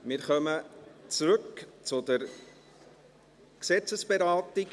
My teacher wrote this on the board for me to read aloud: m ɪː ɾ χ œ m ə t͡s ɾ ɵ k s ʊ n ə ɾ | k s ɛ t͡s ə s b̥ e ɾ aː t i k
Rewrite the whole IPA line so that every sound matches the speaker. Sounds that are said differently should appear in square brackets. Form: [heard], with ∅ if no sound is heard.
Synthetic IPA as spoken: m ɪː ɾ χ œ m ə t͡s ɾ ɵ k [t͡s] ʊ [d] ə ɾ | k s ɛ t͡s ə s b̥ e ɾ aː t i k